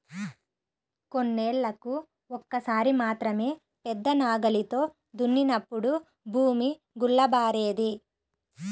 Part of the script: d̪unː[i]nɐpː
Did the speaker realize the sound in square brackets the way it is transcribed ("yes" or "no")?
yes